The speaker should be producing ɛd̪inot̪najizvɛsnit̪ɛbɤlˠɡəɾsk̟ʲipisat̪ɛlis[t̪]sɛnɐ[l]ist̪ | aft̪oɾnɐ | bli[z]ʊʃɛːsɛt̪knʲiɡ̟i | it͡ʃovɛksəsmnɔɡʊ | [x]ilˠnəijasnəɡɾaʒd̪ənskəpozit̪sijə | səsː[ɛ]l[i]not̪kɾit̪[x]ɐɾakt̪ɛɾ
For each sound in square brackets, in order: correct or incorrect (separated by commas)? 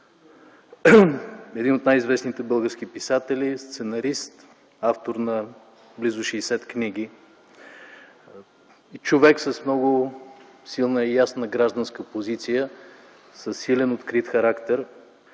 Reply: correct, incorrect, correct, incorrect, incorrect, incorrect, correct